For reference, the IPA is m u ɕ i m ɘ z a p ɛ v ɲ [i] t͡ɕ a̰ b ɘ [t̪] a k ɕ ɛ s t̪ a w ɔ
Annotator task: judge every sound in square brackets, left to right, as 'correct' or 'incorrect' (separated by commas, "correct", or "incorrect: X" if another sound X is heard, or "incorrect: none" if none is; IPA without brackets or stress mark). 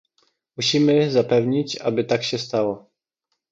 correct, correct